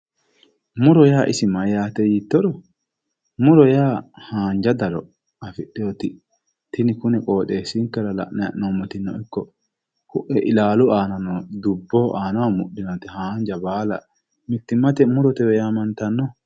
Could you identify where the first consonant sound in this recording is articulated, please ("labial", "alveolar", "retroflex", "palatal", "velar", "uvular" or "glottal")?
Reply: labial